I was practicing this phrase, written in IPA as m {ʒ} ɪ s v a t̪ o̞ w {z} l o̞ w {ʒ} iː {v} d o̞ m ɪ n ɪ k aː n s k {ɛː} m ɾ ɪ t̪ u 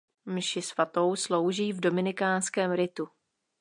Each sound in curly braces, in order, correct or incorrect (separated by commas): incorrect, incorrect, correct, correct, correct